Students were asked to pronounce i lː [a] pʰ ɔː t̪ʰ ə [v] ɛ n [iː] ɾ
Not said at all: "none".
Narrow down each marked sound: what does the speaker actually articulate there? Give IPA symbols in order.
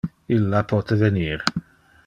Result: a, v, iː

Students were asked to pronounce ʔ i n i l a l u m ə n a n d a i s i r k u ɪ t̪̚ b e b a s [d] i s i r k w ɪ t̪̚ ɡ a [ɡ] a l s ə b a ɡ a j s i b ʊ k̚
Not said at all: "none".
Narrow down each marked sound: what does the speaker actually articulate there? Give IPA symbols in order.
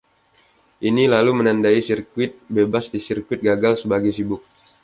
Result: d, ɡ

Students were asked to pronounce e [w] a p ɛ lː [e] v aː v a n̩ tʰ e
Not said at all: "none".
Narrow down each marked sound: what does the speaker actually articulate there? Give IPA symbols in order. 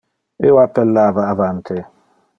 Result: w, a

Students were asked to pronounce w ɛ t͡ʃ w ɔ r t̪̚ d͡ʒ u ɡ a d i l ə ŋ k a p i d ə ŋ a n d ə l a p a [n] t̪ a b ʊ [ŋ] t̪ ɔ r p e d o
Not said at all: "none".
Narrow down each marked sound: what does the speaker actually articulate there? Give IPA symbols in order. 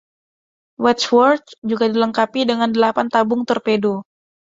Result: n, ŋ

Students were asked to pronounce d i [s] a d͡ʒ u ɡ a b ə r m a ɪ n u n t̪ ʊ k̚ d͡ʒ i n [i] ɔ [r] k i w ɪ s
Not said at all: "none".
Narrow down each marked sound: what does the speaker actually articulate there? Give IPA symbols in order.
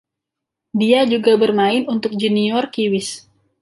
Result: none, i, r

